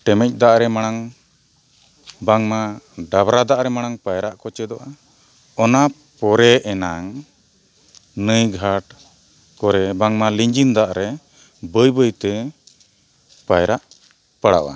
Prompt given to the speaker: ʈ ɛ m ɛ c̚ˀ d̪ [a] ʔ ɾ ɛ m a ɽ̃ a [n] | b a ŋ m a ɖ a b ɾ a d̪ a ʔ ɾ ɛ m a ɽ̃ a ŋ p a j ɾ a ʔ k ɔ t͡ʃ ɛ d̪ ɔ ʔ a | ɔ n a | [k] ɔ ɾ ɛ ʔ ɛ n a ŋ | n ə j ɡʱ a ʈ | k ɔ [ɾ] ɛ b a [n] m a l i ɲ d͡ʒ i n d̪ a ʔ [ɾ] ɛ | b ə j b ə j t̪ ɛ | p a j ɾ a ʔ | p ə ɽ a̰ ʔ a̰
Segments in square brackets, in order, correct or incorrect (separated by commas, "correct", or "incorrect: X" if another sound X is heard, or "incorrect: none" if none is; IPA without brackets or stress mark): correct, incorrect: ŋ, incorrect: p, correct, incorrect: ŋ, correct